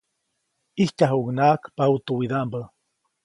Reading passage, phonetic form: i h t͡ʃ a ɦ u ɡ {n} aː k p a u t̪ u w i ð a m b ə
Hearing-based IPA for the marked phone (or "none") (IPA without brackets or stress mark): n